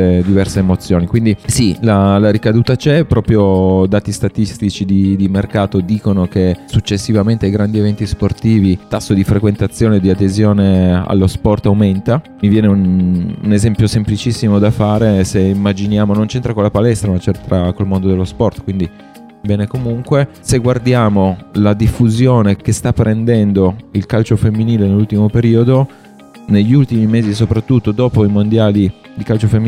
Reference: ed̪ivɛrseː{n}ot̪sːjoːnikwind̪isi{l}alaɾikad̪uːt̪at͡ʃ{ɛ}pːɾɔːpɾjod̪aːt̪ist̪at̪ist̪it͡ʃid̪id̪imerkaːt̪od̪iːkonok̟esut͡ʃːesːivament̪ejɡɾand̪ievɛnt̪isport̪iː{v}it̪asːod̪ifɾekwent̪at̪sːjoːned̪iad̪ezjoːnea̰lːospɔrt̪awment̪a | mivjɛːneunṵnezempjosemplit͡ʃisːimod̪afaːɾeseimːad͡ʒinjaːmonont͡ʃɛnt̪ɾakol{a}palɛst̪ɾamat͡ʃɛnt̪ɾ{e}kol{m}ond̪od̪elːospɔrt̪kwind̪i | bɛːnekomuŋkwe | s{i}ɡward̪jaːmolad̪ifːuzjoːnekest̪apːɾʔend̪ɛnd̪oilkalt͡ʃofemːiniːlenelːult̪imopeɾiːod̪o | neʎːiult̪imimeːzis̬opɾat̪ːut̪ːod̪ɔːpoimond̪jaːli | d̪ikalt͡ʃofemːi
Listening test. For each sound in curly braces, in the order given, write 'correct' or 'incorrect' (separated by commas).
incorrect, correct, correct, correct, correct, incorrect, correct, incorrect